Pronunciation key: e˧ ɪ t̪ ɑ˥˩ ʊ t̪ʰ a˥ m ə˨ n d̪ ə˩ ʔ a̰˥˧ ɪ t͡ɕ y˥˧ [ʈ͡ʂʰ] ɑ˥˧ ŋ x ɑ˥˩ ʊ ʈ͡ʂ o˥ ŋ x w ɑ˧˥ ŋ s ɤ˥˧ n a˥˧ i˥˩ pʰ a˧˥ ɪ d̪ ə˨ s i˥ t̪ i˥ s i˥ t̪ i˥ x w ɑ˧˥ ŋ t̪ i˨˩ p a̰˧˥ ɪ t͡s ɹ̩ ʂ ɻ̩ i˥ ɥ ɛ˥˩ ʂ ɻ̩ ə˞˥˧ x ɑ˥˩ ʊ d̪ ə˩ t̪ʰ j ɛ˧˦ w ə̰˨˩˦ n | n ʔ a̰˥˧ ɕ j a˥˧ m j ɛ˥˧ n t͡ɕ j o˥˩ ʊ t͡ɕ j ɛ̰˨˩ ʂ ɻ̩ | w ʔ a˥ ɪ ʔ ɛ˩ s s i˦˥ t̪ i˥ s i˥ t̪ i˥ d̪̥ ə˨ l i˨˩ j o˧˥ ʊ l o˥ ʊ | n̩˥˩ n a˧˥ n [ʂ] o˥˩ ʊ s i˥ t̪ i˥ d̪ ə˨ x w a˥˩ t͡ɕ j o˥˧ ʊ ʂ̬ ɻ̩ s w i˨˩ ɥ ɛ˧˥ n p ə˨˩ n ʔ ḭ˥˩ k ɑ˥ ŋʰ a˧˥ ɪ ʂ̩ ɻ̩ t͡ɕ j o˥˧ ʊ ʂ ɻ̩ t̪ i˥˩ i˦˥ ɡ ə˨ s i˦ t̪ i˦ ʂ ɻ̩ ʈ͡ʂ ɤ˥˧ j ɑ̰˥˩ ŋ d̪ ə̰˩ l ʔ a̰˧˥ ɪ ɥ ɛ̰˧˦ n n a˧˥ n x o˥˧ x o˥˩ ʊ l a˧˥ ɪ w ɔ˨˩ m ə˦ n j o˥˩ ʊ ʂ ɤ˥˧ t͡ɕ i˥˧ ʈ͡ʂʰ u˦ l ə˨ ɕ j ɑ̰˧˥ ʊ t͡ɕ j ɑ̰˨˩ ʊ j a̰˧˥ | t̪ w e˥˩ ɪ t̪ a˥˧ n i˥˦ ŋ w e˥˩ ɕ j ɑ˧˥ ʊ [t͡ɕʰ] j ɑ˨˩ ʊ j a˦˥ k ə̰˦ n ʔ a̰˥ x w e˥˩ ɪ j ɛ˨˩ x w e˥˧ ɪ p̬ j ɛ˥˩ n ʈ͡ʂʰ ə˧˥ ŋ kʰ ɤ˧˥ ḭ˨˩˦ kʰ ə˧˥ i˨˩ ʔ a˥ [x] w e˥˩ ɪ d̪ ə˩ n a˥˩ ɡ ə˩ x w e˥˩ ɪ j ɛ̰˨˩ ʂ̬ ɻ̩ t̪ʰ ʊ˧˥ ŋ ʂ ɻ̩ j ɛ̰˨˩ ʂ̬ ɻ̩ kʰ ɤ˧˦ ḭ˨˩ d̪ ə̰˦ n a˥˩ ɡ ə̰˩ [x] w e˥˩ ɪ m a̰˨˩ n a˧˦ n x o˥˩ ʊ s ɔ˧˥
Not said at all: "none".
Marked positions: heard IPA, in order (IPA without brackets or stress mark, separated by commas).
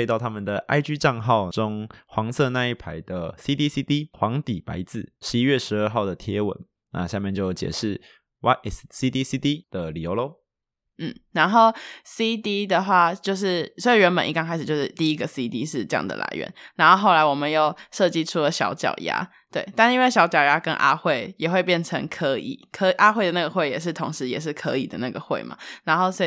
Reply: ʈ͡ʂ, x, t͡ɕ, x, x